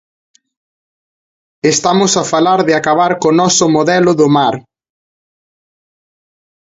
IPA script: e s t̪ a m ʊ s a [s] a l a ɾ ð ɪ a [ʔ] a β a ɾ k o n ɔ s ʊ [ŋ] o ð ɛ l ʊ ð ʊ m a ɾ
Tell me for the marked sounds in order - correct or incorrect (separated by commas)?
incorrect, incorrect, incorrect